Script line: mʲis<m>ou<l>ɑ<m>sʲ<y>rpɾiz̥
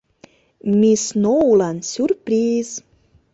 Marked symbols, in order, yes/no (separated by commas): no, yes, no, yes